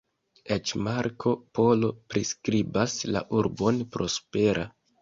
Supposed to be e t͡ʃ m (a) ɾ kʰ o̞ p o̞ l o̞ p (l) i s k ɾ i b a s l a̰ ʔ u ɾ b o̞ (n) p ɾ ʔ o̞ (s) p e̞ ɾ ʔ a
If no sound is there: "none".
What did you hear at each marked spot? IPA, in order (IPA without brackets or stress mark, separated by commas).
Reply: a, ɾ, n, s